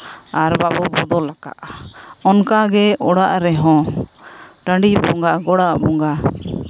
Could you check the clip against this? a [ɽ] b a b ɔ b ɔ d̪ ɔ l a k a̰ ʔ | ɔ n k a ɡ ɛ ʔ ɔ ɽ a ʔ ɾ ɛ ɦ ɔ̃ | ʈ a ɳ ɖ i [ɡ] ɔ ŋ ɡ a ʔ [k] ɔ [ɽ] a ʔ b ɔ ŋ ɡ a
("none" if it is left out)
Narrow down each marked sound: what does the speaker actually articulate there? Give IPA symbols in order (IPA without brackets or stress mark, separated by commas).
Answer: ɾ, b, ɡ, ɽ